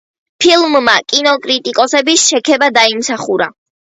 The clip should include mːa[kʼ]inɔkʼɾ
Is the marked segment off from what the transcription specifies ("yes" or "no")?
no